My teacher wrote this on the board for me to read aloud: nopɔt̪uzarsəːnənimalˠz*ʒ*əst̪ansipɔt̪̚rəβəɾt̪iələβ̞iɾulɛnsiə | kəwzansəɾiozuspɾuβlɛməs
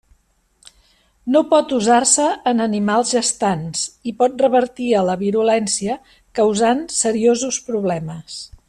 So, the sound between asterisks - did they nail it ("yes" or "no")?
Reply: yes